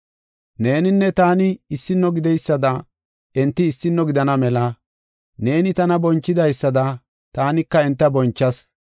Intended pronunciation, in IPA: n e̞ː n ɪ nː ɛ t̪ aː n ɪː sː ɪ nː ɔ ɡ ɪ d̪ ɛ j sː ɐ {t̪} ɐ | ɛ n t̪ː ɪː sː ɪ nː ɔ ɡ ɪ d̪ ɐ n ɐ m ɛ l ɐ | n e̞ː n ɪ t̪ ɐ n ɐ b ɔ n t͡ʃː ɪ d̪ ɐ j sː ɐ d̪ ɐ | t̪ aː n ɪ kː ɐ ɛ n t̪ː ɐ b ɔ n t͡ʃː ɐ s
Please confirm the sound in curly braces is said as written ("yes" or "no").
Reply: no